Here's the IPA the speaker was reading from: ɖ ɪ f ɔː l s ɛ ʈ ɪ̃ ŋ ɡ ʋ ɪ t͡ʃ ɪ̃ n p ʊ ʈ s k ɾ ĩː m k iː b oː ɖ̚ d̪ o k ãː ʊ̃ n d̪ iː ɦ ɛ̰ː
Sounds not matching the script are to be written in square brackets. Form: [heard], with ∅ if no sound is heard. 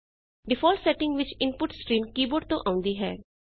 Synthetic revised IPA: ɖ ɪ f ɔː l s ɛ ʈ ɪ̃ ŋ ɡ ʋ ɪ t͡ʃ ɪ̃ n p ʊ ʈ s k ɾ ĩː m k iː b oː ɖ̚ [t̪] o [ʔ] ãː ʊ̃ n d̪ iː ɦ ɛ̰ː